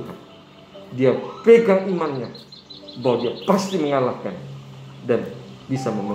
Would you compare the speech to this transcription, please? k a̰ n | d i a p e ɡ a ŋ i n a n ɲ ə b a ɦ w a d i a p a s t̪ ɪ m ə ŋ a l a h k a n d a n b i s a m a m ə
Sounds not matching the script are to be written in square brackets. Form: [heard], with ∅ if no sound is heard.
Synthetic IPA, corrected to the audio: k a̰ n | d i a p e ɡ a ŋ i [m] a n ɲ [a] b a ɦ w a d i a p a s t̪ [i] m ə ŋ a l a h k a n d a n b i s a m [ə] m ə